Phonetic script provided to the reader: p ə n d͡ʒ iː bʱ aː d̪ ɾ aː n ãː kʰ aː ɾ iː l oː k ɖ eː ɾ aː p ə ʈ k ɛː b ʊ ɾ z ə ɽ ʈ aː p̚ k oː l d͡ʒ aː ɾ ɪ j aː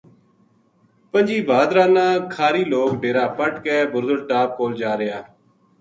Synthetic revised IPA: p ə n d͡ʒ iː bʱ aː d̪ ɾ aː n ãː kʰ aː ɾ iː l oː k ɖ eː ɾ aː p ə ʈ k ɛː b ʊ ɾ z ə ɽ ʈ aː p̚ k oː l d͡ʒ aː ɾ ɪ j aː